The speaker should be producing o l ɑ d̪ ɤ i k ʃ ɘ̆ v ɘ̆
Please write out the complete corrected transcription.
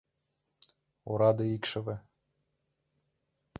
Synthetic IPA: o ɾ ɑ d̪ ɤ i k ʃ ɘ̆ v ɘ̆